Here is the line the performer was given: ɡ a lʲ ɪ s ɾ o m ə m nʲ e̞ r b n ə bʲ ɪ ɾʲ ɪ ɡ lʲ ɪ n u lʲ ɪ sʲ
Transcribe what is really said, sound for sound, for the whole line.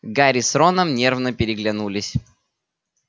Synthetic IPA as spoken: ɡ a ɾʲ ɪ s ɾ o n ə m nʲ e̞ r v n ə pʲ ɪ ɾʲ ɪ ɡ lʲ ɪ n u lʲ ɪ sʲ